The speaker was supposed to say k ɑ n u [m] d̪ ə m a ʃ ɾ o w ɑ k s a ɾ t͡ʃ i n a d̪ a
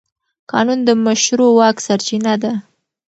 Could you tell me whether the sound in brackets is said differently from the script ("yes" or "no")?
yes